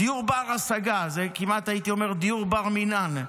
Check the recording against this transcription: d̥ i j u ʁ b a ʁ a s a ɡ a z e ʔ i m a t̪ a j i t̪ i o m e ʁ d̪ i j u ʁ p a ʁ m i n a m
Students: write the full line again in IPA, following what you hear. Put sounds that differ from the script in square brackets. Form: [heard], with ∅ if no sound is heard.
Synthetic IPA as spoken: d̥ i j u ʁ b a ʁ a s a ɡ a z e [k] i m a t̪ a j i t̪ i o m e ʁ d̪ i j u ʁ [b] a ʁ m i n a [n]